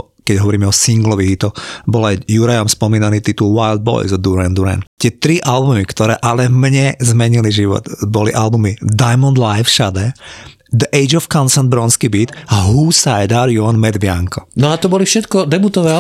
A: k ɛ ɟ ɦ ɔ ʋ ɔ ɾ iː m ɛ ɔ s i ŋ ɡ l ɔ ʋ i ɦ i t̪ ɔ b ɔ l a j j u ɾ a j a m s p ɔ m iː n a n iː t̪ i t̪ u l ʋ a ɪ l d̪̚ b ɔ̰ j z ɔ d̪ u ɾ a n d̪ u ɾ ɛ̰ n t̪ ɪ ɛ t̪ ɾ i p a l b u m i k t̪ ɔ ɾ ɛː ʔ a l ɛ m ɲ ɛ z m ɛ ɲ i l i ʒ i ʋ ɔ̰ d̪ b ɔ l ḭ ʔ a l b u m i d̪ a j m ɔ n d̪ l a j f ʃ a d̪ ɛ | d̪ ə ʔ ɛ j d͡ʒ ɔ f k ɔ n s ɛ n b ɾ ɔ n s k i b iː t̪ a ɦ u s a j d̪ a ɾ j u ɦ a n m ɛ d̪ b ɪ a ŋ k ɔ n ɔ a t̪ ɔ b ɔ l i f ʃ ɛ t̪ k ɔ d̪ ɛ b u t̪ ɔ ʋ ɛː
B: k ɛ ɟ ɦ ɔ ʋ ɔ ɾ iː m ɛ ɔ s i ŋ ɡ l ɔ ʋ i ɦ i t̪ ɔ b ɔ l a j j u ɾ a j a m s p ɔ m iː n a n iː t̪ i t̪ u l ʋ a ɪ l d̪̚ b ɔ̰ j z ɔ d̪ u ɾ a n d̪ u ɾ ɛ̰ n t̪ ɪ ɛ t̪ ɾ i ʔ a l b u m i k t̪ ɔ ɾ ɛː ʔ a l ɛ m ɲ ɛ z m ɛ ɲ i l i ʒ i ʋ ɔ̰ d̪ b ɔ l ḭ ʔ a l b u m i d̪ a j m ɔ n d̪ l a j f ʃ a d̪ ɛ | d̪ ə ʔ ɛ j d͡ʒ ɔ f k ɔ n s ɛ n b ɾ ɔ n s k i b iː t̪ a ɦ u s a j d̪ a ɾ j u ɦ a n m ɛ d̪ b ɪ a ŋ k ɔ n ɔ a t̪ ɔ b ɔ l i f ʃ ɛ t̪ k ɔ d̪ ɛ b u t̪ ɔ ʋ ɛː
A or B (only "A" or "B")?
B